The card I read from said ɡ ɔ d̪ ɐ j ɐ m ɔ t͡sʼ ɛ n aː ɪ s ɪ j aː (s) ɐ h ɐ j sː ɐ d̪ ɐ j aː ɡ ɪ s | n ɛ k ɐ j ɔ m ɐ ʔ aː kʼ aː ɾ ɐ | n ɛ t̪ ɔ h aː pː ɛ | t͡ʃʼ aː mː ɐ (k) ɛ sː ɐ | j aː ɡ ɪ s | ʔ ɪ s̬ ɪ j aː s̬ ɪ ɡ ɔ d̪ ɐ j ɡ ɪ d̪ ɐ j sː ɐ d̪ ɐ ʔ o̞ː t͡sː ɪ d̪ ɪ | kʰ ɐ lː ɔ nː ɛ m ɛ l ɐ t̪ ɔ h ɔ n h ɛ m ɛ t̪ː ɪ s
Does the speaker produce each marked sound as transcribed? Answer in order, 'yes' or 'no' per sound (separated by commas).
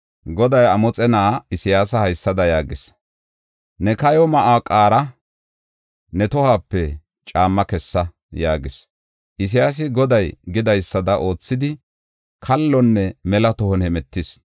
yes, yes